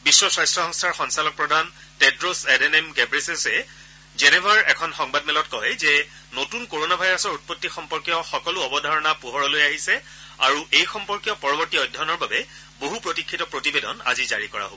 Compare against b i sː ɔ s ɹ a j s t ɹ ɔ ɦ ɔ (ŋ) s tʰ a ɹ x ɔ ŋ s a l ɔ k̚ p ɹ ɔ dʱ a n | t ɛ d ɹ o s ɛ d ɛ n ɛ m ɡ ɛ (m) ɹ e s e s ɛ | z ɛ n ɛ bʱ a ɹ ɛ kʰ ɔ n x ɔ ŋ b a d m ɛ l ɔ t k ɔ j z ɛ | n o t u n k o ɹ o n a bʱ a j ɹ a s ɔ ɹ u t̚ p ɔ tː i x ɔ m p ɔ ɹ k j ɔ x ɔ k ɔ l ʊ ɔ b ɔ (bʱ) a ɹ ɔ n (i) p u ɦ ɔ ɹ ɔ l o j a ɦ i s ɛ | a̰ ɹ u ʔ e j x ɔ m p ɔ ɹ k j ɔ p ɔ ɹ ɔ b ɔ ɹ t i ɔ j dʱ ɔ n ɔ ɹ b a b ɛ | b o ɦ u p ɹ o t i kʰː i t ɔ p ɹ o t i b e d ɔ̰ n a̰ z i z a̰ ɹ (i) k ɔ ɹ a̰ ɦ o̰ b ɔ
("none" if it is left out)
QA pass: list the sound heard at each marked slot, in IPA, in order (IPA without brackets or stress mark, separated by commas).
ŋ, b, dʱ, a, i